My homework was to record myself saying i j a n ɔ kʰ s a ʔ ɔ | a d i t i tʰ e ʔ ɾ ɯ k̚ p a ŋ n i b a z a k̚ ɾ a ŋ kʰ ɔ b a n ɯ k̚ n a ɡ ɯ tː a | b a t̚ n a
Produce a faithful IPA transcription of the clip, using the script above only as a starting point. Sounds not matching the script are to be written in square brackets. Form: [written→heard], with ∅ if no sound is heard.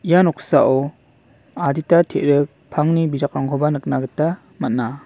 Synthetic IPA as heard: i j a n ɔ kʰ s a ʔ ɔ | a d i t [i→a] tʰ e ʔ ɾ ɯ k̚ [p→pʰ] a ŋ n i b [a→i] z a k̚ ɾ a ŋ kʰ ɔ b a n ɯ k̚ n a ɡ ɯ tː a | [b→m] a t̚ n a